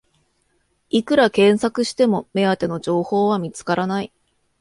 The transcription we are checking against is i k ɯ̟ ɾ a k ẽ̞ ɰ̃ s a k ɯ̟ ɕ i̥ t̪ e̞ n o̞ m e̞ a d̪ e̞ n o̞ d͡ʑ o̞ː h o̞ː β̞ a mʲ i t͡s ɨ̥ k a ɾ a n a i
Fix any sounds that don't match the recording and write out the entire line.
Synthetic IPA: i k ɯ̟ ɾ a k ẽ̞ ɰ̃ s a k ɯ̟ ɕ i̥ t̪ e̞ m o̞ m e̞ a t̪ e̞ n o̞ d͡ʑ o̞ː h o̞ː β̞ a mʲ i t͡s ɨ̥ k a ɾ a n a i